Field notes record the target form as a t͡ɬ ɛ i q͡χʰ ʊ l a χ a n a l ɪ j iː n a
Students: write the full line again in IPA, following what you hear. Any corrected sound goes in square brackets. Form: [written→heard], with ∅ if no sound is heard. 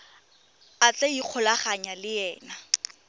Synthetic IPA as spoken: a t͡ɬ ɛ i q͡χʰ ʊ l a χ a [n→ɲ] a l ɪ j [iː→ɛː] n a